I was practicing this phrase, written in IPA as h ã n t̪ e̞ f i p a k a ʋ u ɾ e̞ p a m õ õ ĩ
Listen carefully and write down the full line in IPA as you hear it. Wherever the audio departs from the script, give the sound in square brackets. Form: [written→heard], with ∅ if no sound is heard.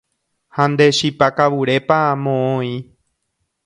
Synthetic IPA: h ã n [t̪→d̪] e̞ [f→ʃ] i p a k a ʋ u ɾ e̞ p a m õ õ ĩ